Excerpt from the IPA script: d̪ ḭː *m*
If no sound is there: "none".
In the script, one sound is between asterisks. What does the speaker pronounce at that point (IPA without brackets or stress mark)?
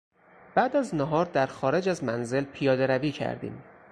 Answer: m